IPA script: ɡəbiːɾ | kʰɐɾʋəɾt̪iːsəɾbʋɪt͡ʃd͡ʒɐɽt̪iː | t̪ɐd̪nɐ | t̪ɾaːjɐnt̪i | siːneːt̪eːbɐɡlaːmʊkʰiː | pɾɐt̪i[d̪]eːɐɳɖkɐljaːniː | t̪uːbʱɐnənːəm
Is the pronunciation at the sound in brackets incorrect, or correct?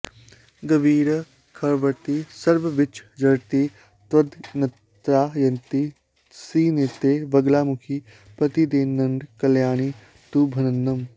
correct